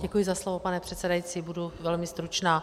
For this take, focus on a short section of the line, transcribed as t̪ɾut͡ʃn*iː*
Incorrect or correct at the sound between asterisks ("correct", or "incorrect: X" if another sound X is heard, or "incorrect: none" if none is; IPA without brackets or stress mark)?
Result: incorrect: aː